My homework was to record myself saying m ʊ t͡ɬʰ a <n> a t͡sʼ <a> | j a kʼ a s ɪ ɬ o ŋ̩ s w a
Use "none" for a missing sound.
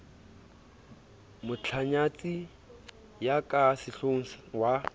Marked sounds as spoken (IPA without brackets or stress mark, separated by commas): ɲ, i